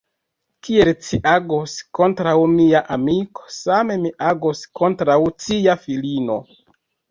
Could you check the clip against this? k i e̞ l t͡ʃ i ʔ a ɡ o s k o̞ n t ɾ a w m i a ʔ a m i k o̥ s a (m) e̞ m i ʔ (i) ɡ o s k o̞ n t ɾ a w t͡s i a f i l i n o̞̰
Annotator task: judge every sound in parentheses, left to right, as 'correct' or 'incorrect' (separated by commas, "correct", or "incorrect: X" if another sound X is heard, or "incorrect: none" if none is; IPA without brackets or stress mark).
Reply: correct, incorrect: a